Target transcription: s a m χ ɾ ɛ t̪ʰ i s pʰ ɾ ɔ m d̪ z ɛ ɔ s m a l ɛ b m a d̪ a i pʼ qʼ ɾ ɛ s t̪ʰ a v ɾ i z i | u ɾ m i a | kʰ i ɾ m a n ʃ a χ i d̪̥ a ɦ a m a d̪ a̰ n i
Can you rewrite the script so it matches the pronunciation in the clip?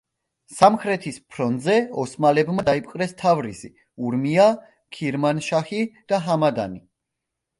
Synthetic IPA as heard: s a m χ ɾ ɛ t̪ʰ i s pʰ ɾ ɔ n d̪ z ɛ ɔ s m a l ɛ b m a d̪ a i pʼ qʼ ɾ ɛ s t̪ʰ a v ɾ i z i | u ɾ m i a | kʰ i ɾ m a n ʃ a χ i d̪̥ a ɦ a m a d̪ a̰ n i